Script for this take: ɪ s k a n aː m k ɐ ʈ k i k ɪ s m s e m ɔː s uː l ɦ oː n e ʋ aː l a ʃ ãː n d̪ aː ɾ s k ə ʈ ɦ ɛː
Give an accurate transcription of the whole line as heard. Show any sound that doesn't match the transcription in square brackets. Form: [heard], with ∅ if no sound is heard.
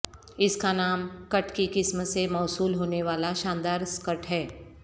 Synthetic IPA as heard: ɪ s k a n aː m k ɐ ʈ k i k ɪ s m s e m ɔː s uː l ɦ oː n e ʋ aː l a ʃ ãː n d̪ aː ɾ s k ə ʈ ɦ ɛː